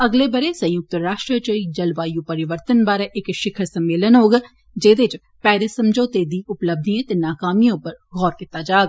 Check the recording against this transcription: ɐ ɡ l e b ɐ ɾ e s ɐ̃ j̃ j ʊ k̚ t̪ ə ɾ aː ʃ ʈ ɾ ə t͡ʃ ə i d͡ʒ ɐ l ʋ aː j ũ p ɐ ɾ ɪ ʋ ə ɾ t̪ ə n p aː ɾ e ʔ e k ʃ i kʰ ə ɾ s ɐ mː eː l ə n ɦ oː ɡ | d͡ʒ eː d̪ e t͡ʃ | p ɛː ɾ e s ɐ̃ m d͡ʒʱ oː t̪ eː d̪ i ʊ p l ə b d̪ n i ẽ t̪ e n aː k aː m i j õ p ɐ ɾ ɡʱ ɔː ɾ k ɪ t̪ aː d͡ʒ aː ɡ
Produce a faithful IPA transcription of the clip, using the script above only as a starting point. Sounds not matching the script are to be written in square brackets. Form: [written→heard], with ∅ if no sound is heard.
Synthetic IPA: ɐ ɡ l e b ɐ ɾ e s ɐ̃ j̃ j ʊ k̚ t̪ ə ɾ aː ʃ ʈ ɾ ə t͡ʃ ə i d͡ʒ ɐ l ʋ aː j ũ p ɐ ɾ ɪ ʋ ə ɾ t̪ ə n [p→b] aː ɾ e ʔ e k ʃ [i→ɪ] kʰ ə ɾ s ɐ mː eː l ə n ɦ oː ɡ | d͡ʒ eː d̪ e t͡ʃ | p ɛː ɾ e s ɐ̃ m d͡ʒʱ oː t̪ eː d̪ i ʊ p l ə b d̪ n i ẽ t̪ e n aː k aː m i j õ p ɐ ɾ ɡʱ ɔː ɾ k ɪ t̪ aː d͡ʒ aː ɡ